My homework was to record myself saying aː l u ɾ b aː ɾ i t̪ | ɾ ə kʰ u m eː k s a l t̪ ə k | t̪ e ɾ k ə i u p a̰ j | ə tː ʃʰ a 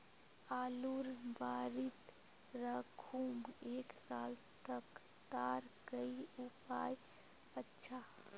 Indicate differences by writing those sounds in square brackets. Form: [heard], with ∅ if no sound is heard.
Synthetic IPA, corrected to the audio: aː l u ɾ b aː ɾ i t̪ | ɾ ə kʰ u m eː k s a l t̪ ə k | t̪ [a] ɾ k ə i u p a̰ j | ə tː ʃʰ a